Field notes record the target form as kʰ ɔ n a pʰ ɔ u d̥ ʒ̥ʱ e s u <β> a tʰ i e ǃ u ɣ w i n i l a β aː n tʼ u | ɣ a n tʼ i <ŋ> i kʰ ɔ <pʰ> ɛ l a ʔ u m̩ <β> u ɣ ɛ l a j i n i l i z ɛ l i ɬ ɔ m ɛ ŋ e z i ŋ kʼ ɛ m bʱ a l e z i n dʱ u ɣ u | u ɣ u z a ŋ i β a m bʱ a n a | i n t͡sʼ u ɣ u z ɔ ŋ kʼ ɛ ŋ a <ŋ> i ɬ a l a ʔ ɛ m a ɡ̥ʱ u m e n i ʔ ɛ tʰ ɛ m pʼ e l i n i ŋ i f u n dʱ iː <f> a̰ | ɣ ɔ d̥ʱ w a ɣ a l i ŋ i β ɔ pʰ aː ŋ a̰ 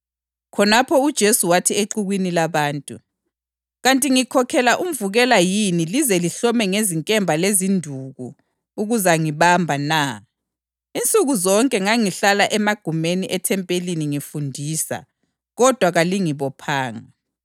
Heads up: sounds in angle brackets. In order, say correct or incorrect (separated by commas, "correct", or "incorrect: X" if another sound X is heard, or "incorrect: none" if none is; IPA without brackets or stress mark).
incorrect: w, correct, incorrect: kʰ, incorrect: v, correct, incorrect: s